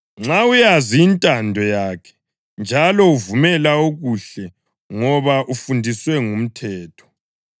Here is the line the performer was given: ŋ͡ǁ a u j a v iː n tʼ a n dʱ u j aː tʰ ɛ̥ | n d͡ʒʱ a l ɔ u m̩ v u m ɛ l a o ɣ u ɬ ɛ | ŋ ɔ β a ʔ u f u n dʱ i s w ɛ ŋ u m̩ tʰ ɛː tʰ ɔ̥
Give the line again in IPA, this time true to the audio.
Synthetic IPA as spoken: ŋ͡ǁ a u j a z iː n tʼ a n dʱ ɔ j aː kʰ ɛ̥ | n d͡ʒʱ a l ɔ u v u m ɛ l a o ɣ u ɬ ɛ | ŋ ɔ β a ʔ u f u n dʱ i s w ɛ ŋ u m̩ tʰ ɛː tʰ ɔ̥